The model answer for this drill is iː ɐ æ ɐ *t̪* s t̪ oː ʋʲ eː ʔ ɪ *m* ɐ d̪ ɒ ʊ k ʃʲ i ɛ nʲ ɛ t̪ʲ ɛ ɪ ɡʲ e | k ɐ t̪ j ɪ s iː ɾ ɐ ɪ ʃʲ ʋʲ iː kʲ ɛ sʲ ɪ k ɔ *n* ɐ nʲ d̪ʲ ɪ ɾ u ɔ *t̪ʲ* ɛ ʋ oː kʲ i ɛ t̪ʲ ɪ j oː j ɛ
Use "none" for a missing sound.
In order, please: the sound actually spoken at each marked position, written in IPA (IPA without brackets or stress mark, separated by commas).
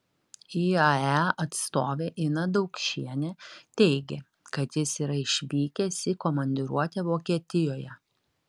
t̪, n, m, t̪ʲ